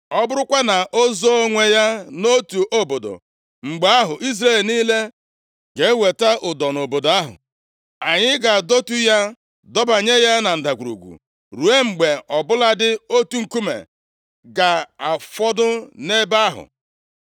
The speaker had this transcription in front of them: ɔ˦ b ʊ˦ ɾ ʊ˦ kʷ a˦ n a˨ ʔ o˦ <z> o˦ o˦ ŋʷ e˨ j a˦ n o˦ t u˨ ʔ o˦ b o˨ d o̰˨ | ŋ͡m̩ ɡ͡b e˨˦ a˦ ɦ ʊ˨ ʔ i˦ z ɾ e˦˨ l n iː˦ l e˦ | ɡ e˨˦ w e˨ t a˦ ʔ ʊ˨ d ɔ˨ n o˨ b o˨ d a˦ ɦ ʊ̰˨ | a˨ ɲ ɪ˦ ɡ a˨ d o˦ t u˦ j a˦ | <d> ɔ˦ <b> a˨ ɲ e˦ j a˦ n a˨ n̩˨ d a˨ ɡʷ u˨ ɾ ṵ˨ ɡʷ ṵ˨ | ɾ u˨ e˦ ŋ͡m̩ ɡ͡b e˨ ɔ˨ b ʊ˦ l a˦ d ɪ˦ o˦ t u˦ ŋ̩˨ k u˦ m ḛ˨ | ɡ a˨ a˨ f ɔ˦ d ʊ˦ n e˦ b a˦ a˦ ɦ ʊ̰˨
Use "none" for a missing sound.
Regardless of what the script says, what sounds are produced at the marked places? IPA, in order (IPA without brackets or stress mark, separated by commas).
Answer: z, d, b